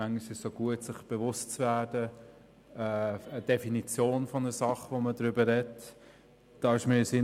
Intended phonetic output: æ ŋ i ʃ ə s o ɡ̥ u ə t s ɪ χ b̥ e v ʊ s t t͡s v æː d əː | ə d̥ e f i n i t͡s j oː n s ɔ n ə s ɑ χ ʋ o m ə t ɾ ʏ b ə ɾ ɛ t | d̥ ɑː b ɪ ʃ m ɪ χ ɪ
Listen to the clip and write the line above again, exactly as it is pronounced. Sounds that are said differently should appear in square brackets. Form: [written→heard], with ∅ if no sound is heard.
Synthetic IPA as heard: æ ŋ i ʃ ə s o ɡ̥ u ə t s ɪ χ b̥ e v ʊ s t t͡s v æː d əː | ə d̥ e f i n i t͡s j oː n [s→f] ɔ n ə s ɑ χ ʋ o m ə [t→d] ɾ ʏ b ə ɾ ɛ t | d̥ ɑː [b→∅] ɪ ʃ m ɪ [χ→s] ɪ

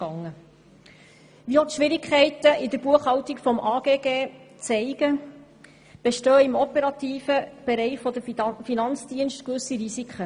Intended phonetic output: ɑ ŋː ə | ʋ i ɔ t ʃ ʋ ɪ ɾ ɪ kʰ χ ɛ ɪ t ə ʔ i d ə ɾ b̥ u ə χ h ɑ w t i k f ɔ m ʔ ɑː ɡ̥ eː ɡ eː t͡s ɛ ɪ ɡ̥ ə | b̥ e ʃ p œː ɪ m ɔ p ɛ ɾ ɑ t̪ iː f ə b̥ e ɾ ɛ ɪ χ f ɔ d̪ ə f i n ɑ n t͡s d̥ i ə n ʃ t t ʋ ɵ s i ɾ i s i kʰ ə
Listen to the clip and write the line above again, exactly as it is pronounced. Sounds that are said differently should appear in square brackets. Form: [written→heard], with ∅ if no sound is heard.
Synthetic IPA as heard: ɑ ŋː ə | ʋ i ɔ t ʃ ʋ ɪ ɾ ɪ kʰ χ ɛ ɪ t ə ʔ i d ə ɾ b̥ u ə χ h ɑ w t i k f ɔ m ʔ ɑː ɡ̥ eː ɡ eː t͡s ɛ ɪ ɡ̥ ə | b̥ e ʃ [p→t] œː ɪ m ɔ p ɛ ɾ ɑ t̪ iː f ə b̥ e ɾ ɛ ɪ χ f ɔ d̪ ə f i n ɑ n t͡s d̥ i ə n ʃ t [t→k] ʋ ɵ s i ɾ i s i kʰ ə

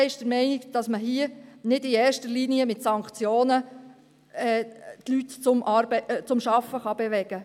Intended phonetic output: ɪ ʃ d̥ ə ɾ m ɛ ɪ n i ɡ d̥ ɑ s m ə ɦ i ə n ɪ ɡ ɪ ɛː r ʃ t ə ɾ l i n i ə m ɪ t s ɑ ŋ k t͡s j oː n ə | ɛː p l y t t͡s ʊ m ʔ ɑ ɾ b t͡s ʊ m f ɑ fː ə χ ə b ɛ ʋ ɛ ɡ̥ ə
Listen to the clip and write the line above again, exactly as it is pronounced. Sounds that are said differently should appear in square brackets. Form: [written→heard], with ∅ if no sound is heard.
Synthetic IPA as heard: ɪ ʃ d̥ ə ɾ m ɛ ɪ n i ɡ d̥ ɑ s m ə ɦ i ə n ɪ [ɡ→d] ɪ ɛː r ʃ t ə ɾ l i n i ə m ɪ t s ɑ ŋ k t͡s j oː n ə | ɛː [p→t] l y t t͡s ʊ m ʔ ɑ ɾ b t͡s ʊ m [f→ʃ] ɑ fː ə χ [ə→ɑ] b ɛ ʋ ɛ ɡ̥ ə

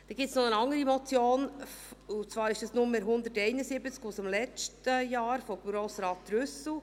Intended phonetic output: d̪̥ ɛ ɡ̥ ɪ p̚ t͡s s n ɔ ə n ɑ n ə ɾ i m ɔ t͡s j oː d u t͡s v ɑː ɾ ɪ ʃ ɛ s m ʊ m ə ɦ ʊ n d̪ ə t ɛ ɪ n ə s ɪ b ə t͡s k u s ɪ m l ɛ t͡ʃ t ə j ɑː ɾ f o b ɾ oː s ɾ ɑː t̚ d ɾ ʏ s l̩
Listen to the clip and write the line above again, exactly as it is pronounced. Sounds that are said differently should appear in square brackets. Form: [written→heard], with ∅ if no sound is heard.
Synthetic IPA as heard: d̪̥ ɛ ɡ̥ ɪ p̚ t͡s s n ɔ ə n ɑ [n→ŋ] ə ɾ i m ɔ t͡s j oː [d→n] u t͡s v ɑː ɾ ɪ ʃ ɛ s [m→n] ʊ m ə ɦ ʊ n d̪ ə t ɛ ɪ n ə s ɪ b ə t͡s k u s ɪ m l ɛ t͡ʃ t ə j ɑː ɾ f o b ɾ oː s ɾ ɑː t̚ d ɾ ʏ s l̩

